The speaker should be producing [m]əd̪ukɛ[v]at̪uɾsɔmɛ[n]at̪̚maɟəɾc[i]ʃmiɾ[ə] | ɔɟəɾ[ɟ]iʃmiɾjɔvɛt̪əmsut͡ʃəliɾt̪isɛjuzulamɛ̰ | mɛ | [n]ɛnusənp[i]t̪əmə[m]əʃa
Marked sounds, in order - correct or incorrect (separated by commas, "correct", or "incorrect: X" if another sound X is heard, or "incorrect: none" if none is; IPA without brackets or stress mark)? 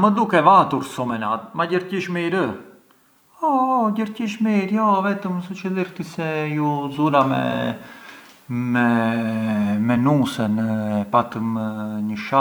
correct, correct, correct, correct, correct, incorrect: c, incorrect: m, incorrect: a, incorrect: ɲ